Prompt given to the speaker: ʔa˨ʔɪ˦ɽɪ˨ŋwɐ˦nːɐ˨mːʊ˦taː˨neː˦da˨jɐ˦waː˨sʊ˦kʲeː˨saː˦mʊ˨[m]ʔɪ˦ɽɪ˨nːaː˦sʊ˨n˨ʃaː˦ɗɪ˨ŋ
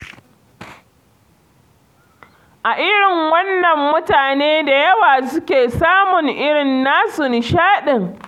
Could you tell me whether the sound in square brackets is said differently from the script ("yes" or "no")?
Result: yes